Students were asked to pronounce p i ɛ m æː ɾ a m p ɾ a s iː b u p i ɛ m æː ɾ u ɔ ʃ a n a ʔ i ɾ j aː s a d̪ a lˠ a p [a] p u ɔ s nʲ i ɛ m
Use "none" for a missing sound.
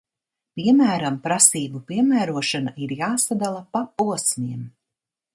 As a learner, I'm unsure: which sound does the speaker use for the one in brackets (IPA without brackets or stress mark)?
a